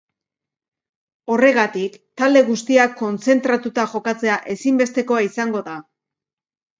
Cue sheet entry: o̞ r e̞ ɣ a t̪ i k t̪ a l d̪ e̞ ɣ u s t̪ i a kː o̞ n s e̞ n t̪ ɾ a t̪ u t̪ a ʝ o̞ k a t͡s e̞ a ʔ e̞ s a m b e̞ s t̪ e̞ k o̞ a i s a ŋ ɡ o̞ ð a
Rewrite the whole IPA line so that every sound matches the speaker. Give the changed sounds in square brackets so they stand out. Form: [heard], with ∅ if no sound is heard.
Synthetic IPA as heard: o̞ r e̞ ɣ a t̪ i k t̪ a l d̪ e̞ ɣ u s t̪ i a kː o̞ n [t͡s] e̞ n t̪ ɾ a t̪ u t̪ a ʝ o̞ k a t͡s e̞ a ʔ e̞ s [i] m b e̞ s t̪ e̞ k o̞ a i s a ŋ ɡ o̞ ð a

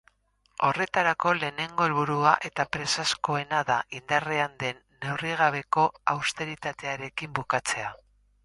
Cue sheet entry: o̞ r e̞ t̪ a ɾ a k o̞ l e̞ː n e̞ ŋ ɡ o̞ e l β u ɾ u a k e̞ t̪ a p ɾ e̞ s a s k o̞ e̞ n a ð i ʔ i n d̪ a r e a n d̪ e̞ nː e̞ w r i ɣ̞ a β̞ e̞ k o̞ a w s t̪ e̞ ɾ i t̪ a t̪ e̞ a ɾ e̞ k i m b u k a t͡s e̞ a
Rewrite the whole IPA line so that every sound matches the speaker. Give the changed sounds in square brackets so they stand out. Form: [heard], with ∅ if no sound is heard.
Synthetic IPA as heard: o̞ r e̞ t̪ a ɾ a k o̞ l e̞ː n e̞ ŋ ɡ o̞ e l β u ɾ u a [ʔ] e̞ t̪ a p ɾ e̞ s a s k o̞ e̞ n a ð [a] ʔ i n d̪ a r e a n d̪ e̞ nː e̞ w r i ɣ̞ a β̞ e̞ k o̞ a w s t̪ e̞ ɾ i t̪ a t̪ e̞ a ɾ e̞ k i m b u k a t͡s e̞ a

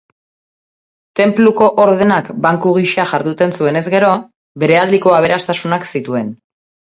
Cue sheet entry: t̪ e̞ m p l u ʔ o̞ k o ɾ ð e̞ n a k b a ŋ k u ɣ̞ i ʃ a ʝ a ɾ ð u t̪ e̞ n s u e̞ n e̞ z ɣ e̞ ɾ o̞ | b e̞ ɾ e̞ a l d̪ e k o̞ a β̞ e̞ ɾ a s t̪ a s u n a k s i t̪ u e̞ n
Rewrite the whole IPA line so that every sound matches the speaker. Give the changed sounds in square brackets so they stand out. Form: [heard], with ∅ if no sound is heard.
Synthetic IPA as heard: t̪ e̞ m p l u [k] o̞ [ʔ] o ɾ ð e̞ n a k b a ŋ k u ɣ̞ i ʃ a ʝ a ɾ ð u t̪ e̞ n s u e̞ n e̞ z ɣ e̞ ɾ o̞ | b e̞ ɾ e̞ a l d̪ [i] k o̞ a β̞ e̞ ɾ a s t̪ a s u n a k s i t̪ u e̞ n

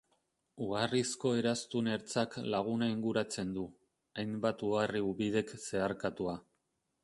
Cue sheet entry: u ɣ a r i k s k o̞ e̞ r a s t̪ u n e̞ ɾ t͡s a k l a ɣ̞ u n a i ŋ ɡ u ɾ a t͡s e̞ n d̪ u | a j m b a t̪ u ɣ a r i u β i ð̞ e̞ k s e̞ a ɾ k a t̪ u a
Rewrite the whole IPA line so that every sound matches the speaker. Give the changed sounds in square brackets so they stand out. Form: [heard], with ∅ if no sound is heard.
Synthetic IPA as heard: u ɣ a r i [∅] s k o̞ e̞ [ɾ] a s t̪ u n e̞ ɾ t͡s a k l a ɣ̞ u n a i ŋ ɡ u ɾ a t͡s e̞ n d̪ u | a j m b a t̪ u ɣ a r i u β i ð̞ e̞ k s e̞ a ɾ k a t̪ u a

